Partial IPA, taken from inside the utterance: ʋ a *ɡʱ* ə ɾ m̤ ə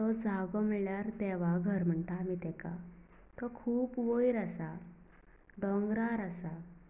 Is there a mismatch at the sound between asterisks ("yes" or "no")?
no